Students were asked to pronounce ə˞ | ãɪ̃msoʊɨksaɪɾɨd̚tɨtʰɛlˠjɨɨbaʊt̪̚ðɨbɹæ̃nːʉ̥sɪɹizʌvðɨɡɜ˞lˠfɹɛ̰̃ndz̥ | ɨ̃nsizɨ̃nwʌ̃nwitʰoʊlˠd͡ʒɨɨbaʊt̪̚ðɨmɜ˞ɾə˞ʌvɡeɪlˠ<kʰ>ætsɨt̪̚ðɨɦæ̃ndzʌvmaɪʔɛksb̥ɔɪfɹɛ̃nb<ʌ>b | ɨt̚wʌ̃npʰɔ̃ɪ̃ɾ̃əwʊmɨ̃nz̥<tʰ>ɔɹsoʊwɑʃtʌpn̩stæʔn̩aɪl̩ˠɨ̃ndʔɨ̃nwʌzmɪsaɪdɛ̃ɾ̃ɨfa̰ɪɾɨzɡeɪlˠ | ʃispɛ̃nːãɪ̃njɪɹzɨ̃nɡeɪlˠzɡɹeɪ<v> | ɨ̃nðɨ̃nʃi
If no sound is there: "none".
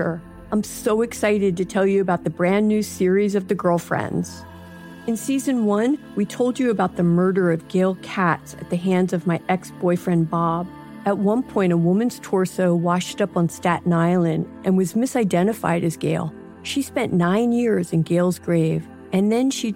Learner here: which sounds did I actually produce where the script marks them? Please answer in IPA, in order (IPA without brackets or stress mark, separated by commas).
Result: kʰ, ɑ, tʰ, v